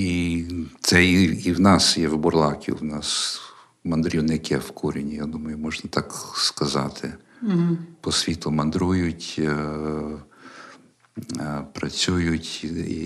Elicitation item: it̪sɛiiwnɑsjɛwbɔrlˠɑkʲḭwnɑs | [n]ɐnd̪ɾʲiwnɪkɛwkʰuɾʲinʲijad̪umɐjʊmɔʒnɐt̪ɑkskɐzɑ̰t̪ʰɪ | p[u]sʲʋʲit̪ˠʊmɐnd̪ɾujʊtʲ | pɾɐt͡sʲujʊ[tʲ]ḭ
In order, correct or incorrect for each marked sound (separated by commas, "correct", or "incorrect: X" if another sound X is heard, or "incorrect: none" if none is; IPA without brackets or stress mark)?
incorrect: m, incorrect: ɔ, correct